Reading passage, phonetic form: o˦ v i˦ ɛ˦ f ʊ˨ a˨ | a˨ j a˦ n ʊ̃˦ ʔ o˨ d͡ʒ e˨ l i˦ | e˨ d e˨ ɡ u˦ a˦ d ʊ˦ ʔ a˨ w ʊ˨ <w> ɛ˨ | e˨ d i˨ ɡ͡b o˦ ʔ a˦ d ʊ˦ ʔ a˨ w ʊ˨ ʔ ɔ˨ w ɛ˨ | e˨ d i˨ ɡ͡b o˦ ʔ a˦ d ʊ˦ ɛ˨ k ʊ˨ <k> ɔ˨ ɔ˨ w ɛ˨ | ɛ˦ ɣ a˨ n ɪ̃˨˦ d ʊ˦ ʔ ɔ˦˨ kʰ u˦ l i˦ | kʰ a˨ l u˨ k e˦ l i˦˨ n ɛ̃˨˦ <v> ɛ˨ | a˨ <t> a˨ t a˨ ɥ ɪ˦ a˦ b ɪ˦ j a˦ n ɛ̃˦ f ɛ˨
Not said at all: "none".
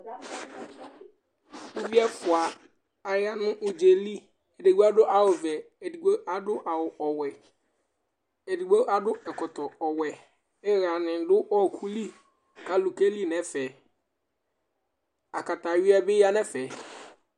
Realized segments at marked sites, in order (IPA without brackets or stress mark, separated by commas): v, t, f, k